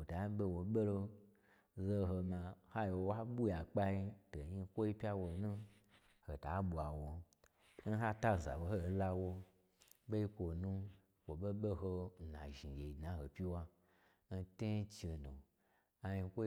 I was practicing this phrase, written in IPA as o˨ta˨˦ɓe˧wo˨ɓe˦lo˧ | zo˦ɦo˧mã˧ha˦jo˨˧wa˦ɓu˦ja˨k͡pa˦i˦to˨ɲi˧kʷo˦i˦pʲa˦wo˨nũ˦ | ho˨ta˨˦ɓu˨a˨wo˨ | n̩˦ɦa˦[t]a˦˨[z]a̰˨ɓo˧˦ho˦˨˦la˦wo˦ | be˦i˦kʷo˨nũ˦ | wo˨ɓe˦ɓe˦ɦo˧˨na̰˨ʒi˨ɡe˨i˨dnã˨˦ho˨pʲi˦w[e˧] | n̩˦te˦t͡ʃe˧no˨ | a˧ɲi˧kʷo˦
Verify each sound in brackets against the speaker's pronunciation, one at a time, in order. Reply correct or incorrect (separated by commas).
correct, correct, incorrect